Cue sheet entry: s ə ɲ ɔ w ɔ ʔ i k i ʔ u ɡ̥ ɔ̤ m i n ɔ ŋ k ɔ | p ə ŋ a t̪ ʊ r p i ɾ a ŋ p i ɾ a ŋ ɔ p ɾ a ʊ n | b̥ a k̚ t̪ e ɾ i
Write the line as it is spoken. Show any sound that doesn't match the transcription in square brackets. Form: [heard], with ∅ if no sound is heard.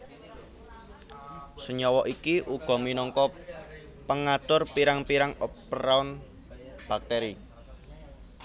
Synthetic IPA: s ə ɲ ɔ w ɔ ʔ i k i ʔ u ɡ̥ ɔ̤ m i n ɔ ŋ k ɔ | p ə ŋ a t̪ ʊ r p i ɾ a ŋ p i ɾ a ŋ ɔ p ɾ a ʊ n | b̥ a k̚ t̪ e ɾ i